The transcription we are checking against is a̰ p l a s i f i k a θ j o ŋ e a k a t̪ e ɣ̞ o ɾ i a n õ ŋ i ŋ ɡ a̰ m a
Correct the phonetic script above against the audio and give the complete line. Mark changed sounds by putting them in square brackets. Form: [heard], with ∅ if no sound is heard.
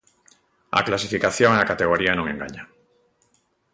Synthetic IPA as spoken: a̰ [k] l a s i f i k a θ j o ŋ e a k a t̪ e ɣ̞ o ɾ i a n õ ŋ [e] ŋ ɡ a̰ [ɲ] a

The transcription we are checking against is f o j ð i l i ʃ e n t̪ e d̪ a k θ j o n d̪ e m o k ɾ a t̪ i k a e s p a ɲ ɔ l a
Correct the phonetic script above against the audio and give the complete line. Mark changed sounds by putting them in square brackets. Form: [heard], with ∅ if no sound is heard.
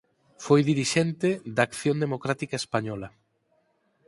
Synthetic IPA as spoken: f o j ð i [ɾ] i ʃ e n t̪ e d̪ a k θ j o n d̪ e m o k ɾ a t̪ i k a e s p a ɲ ɔ l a

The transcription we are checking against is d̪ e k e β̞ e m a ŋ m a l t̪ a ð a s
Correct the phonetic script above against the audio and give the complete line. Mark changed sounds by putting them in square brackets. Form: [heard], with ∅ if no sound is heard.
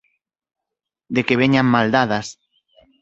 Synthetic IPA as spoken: d̪ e k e β̞ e [ɲ] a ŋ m a l [d̪] a ð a s

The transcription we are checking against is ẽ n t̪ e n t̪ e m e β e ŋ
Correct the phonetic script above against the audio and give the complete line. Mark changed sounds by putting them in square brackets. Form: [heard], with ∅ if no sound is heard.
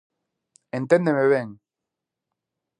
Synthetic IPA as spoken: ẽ n t̪ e n [d̪] e m e β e ŋ

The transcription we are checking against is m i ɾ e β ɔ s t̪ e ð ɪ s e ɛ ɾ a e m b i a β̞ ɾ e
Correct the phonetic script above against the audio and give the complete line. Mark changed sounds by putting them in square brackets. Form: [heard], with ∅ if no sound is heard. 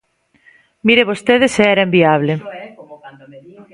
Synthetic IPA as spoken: m i ɾ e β [o] s t̪ e ð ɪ s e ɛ ɾ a e m b i a β̞ [l] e

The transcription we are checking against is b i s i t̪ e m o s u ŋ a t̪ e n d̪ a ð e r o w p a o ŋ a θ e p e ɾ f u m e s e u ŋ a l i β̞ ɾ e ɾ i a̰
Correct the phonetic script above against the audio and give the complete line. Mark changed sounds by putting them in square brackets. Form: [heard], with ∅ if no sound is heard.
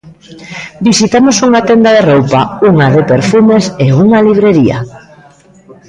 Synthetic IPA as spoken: b i s i t̪ [a] m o s u ŋ a t̪ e n d̪ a ð e r o w p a [u] ŋ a [ð] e p e ɾ f u m e s e u ŋ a l i β̞ ɾ e ɾ i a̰

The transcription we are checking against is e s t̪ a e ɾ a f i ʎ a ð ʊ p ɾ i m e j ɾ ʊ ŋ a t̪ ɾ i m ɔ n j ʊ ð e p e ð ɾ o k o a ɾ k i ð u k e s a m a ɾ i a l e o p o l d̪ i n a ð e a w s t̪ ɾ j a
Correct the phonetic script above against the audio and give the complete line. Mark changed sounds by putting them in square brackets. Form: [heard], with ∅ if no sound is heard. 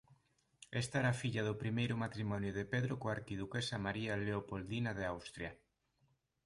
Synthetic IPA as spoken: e s t̪ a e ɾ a f i ʎ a ð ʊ p ɾ i m e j ɾ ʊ [m] a t̪ ɾ i m ɔ n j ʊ ð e p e ð ɾ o k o a ɾ k i ð u k e s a m a ɾ i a l e o p o l d̪ i n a ð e a w s t̪ ɾ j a

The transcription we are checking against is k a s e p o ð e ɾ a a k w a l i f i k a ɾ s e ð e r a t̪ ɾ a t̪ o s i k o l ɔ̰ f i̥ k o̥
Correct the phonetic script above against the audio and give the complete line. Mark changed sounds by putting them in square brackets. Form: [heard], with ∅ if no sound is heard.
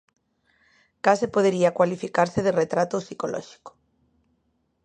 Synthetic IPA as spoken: k a s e p o ð e ɾ [i] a k w a l i f i k a ɾ s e ð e r [e] t̪ ɾ a t̪ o s i k o l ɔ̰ [ʃ] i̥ k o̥

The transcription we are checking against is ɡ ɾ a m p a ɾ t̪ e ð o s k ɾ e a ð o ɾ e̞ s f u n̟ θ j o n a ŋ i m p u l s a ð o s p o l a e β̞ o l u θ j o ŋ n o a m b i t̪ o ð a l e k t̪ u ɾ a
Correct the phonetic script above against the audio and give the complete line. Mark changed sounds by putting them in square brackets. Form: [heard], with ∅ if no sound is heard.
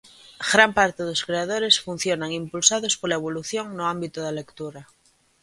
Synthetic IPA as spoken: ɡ ɾ a m p a ɾ t̪ e ð o s k ɾ e a ð o ɾ e̞ s f u n̟ θ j o n a ŋ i m p u l s a ð o s p o l a e β̞ o l u θ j o ŋ n o a m b i t̪ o ð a l e k t̪ u ɾ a

